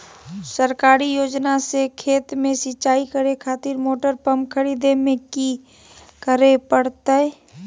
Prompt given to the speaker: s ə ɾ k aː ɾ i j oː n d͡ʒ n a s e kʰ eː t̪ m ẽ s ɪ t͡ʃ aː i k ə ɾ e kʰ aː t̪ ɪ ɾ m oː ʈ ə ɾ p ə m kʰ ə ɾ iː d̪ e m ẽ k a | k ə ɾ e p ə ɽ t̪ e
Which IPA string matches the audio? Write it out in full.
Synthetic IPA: s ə ɾ k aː ɾ i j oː d͡ʒ n a s e kʰ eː t̪ m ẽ s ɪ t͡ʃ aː i k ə ɾ e kʰ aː t̪ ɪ ɾ m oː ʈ ə ɾ p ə m kʰ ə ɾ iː d̪ e m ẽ k i | k ə ɾ e p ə ɽ t̪ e